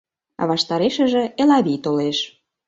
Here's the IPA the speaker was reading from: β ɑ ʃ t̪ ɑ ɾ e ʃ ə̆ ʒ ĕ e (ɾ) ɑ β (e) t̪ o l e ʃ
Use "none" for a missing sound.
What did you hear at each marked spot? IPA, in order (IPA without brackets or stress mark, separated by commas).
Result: l, i